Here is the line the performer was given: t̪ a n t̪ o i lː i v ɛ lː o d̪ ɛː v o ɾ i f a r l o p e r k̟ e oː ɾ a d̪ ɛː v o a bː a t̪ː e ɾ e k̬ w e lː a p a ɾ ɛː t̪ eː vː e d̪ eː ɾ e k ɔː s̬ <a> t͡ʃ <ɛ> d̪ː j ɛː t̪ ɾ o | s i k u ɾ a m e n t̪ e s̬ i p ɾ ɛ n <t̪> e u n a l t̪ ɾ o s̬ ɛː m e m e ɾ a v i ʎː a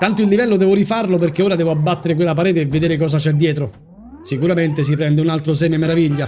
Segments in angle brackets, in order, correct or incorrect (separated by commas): correct, correct, incorrect